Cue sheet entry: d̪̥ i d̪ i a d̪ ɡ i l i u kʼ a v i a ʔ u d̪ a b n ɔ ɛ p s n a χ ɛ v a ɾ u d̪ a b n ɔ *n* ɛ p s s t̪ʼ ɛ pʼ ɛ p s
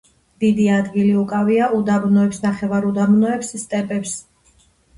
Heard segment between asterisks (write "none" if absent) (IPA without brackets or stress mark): none